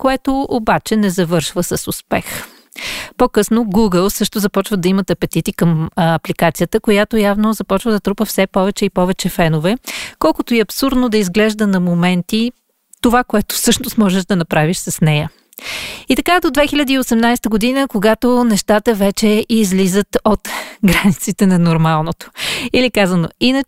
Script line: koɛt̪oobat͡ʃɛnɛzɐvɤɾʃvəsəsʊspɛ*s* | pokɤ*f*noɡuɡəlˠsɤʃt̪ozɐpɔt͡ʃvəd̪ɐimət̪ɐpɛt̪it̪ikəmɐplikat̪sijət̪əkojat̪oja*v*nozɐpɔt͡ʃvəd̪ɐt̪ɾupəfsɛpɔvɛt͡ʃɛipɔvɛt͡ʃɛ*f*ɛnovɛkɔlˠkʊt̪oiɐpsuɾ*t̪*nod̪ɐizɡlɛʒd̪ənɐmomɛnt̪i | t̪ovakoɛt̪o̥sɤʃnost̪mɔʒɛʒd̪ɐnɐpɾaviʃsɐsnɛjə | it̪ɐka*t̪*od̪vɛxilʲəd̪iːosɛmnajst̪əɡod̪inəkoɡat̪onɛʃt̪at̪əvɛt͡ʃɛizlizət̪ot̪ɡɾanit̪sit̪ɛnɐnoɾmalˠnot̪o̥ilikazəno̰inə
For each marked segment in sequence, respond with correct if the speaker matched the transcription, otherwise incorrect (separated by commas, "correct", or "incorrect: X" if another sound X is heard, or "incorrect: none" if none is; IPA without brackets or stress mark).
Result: incorrect: x, incorrect: s, correct, correct, incorrect: d̪, incorrect: d̪